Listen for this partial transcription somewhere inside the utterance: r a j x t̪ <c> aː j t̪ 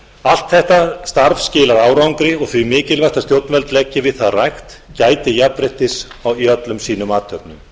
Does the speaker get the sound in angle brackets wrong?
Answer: no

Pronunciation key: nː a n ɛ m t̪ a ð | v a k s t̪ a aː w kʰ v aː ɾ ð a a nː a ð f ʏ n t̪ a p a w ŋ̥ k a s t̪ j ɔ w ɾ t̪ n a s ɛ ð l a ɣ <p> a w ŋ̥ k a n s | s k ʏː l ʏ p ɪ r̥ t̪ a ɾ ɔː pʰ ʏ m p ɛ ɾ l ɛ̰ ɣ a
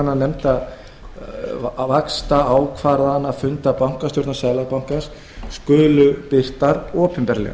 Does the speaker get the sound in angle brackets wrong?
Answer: no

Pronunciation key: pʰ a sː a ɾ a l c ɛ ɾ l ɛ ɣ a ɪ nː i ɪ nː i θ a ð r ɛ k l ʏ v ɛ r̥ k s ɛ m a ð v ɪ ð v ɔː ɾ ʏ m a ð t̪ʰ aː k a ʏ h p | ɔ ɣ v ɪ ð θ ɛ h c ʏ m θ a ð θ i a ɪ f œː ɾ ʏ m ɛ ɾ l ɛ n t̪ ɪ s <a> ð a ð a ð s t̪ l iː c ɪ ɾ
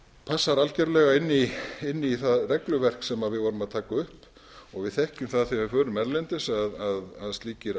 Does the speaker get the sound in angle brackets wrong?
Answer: no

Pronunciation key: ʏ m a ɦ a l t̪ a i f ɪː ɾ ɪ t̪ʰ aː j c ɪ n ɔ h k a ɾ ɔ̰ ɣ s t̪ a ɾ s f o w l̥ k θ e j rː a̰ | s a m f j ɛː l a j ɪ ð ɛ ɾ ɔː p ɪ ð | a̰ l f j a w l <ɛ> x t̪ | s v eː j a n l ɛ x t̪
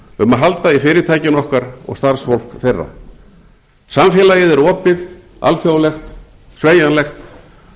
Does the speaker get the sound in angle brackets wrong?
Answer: no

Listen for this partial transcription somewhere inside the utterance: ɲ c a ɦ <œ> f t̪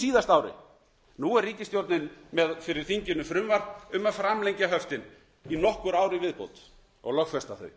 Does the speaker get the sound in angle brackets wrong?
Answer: no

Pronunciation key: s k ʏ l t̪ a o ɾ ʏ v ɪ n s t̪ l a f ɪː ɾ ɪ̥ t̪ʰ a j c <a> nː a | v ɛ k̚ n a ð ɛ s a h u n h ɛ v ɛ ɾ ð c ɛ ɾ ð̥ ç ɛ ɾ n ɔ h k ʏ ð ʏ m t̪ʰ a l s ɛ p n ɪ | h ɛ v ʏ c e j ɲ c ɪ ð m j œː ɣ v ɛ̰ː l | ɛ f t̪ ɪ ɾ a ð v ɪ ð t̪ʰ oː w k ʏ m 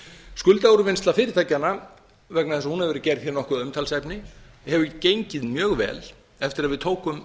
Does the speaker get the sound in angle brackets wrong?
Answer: no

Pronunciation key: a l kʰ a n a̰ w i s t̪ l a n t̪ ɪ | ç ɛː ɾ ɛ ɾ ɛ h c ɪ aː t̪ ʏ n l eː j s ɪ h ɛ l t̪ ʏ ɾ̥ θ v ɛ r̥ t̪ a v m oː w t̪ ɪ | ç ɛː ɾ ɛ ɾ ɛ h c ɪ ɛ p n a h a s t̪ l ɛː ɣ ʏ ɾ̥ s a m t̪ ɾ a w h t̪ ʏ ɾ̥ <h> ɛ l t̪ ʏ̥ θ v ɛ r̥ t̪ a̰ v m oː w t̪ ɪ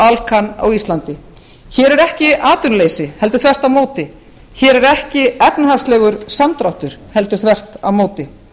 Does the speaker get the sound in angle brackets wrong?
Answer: no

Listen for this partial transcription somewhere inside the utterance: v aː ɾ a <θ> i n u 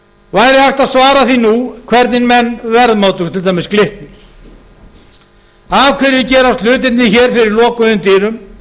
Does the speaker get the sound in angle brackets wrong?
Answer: no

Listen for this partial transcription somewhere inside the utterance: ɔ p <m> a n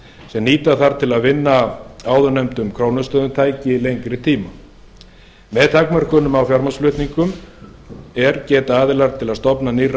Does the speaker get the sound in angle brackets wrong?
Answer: yes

